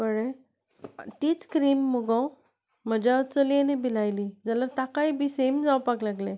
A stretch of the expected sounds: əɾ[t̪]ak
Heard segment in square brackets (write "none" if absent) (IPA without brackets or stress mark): t̪